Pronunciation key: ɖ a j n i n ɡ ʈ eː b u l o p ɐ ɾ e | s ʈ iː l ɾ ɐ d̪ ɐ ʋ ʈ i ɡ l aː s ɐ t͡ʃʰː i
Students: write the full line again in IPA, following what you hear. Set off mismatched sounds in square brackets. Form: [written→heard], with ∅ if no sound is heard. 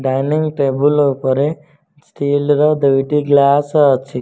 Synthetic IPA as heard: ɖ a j n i [n→ŋ] ɡ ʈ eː b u l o p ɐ ɾ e | s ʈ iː l ɾ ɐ d̪ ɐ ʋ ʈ i ɡ l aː s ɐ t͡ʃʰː i